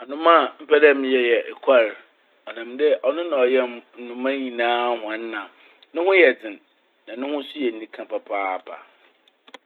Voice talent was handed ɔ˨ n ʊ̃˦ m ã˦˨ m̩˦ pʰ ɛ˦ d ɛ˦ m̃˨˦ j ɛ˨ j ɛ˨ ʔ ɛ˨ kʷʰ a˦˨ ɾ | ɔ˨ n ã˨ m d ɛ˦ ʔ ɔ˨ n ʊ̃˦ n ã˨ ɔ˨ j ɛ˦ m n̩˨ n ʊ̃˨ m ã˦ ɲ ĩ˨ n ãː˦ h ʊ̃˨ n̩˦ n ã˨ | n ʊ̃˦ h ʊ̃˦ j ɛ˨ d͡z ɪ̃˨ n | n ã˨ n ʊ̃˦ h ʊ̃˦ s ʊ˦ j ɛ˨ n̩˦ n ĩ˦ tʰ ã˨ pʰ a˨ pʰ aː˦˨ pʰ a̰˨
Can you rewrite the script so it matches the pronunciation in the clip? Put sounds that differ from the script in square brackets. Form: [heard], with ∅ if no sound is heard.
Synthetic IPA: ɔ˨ n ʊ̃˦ m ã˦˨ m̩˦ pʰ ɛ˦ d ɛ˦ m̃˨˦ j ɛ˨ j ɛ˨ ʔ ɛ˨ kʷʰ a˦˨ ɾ | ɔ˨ n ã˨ m d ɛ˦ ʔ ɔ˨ n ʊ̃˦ n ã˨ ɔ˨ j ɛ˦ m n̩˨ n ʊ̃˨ m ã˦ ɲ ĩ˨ n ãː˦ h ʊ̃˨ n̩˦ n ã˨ | n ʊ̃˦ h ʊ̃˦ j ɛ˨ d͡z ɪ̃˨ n | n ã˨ n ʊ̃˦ h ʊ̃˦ s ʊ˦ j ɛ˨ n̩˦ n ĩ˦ [kʰ] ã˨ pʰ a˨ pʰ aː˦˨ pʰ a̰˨